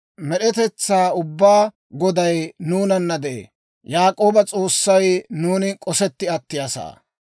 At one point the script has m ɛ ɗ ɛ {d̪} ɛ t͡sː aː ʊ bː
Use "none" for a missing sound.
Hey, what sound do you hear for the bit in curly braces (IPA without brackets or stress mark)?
t̪